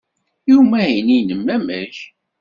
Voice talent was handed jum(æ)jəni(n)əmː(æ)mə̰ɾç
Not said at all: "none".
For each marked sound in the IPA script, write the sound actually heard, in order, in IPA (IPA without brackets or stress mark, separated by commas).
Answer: æ, n, æ